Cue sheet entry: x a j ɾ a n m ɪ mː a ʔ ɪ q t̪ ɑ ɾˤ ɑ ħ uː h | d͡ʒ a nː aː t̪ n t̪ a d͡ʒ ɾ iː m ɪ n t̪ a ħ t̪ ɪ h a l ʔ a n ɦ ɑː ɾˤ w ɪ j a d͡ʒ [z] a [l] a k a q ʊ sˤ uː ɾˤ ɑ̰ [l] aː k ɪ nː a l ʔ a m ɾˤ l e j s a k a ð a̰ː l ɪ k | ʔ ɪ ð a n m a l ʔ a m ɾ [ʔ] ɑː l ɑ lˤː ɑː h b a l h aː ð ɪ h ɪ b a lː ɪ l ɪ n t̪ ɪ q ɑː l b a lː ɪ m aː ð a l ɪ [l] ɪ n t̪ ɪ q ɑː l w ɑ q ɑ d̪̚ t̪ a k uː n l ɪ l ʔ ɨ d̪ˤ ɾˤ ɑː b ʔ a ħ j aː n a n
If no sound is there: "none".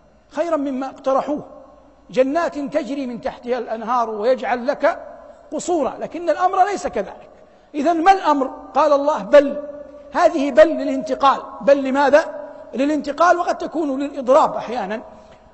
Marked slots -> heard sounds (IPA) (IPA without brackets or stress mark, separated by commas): ʕ, lː, l, q, l